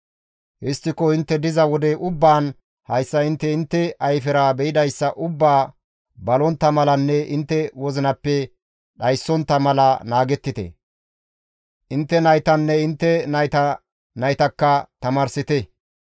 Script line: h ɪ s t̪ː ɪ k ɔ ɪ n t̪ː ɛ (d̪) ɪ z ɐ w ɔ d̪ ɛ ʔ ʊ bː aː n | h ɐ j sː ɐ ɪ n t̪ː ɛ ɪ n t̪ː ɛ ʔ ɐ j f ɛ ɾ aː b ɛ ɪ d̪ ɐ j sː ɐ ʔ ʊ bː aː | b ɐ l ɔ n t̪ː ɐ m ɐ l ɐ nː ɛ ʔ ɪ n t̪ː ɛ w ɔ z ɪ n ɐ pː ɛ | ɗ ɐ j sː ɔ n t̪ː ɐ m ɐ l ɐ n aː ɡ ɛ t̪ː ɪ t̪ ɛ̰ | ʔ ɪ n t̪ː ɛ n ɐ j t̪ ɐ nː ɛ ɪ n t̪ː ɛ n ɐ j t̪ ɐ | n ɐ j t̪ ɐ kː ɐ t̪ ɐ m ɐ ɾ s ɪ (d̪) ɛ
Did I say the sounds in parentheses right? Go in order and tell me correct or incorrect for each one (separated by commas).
correct, incorrect